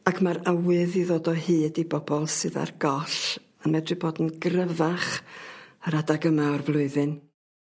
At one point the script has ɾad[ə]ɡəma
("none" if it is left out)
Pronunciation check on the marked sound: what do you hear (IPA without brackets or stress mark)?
a